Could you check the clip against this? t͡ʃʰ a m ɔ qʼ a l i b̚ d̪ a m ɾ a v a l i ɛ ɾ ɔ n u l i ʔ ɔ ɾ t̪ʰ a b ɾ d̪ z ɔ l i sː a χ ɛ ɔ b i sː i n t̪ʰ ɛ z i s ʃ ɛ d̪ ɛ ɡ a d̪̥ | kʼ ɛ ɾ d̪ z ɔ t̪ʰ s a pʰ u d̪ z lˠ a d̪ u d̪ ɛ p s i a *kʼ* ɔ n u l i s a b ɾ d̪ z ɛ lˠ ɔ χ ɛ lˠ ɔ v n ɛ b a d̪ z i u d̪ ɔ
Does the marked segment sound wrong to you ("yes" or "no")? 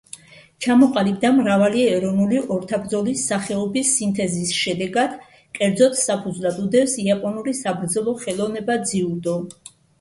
yes